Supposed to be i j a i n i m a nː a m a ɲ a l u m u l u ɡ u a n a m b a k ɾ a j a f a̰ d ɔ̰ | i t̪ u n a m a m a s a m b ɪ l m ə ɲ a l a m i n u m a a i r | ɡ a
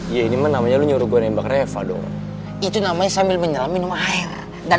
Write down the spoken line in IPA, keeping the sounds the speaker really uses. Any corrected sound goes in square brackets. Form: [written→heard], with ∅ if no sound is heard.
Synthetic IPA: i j a i n i m a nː a m a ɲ a l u [m→ɲ] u [l→ɾ] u ɡ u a n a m b a k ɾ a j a f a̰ d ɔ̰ | i t̪ u n a m a [m→ɲ] a s a m b ɪ l m ə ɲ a l a m i n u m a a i r | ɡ a